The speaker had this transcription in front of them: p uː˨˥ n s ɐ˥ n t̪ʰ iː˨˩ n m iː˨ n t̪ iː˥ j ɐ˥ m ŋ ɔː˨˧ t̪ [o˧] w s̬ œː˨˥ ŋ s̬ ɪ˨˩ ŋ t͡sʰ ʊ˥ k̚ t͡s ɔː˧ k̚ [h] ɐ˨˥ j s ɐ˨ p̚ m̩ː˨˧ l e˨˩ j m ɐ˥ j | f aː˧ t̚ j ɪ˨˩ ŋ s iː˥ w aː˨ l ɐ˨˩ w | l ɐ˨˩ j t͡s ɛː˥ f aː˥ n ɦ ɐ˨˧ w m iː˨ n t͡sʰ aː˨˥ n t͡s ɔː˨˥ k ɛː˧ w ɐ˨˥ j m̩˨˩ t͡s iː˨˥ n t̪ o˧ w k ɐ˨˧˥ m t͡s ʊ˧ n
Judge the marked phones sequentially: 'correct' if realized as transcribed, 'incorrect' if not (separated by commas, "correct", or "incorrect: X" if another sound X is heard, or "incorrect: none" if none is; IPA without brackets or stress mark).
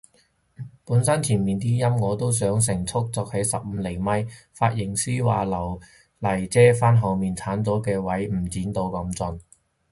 incorrect: o˥, correct